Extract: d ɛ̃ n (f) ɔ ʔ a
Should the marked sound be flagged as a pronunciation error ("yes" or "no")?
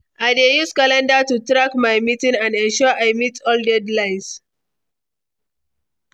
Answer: yes